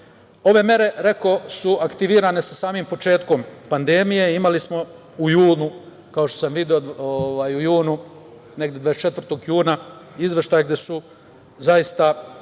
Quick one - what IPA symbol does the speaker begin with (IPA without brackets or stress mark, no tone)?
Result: o̞